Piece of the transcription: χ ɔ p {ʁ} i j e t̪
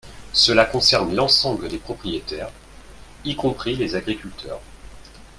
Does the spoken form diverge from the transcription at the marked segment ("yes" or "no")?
yes